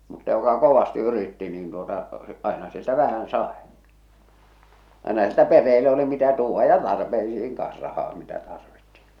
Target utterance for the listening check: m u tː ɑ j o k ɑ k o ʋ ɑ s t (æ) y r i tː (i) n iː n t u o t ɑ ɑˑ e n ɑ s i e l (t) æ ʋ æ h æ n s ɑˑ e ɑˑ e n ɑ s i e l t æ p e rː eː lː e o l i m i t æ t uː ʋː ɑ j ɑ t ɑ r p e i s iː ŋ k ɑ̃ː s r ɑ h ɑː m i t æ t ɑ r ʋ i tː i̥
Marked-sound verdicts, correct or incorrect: incorrect: i, correct, correct

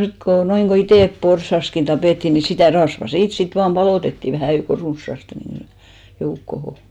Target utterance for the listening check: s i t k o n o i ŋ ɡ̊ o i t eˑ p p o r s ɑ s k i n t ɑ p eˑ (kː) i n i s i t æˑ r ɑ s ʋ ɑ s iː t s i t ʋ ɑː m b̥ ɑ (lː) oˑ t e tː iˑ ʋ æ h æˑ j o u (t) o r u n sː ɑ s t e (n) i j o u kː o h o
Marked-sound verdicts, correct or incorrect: incorrect: tː, incorrect: l, incorrect: k, correct

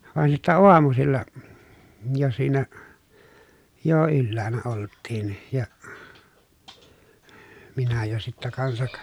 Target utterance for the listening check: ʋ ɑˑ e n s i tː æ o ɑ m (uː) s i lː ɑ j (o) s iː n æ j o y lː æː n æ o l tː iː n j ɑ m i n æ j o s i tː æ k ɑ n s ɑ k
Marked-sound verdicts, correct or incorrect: incorrect: u, correct

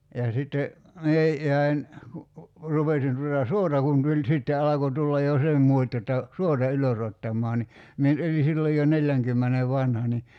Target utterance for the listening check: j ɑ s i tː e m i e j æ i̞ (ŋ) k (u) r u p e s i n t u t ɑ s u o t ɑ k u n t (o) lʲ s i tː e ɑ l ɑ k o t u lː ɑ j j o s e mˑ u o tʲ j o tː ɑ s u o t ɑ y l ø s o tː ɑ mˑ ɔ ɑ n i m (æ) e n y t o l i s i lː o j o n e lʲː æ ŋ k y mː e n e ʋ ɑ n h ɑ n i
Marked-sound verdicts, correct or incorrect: incorrect: n, correct, incorrect: u, incorrect: i

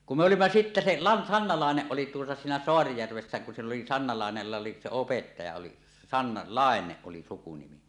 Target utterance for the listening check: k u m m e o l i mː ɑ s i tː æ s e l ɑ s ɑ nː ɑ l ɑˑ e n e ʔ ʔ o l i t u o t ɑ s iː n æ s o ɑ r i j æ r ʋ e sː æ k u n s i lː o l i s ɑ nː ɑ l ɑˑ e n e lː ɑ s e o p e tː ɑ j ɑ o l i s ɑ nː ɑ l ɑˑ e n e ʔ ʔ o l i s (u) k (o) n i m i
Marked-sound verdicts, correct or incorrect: correct, incorrect: u

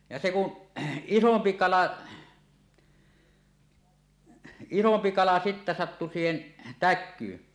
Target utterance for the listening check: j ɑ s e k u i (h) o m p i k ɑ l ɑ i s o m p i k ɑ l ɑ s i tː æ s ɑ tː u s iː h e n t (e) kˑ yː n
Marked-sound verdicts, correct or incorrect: incorrect: s, incorrect: æ

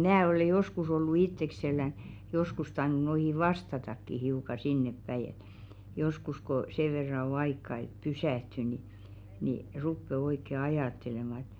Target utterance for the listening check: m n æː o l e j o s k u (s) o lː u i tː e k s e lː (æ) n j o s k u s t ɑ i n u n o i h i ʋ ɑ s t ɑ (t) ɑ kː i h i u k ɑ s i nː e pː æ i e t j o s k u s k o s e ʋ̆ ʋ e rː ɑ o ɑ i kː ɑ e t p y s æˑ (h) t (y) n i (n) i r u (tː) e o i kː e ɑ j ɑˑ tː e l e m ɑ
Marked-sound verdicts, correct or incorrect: correct, correct, correct, correct, correct, correct, incorrect: pː

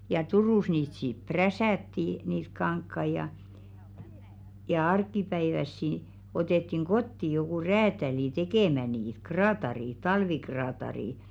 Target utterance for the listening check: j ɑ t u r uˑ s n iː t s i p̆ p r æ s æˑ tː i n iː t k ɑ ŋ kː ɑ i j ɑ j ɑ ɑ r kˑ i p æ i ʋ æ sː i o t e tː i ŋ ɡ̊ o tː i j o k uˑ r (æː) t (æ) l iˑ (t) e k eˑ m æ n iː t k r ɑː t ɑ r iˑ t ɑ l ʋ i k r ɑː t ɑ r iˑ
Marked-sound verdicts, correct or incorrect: correct, correct, correct

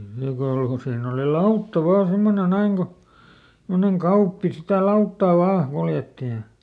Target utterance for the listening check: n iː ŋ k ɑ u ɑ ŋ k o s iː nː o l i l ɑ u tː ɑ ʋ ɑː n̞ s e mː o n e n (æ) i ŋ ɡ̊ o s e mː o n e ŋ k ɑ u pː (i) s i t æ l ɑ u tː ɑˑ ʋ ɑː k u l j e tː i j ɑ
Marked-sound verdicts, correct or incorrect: correct, correct

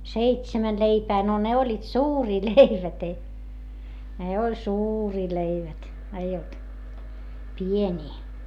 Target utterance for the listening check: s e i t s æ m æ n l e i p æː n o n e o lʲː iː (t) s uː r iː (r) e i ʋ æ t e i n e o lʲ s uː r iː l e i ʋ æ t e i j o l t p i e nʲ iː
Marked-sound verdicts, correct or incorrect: correct, incorrect: l

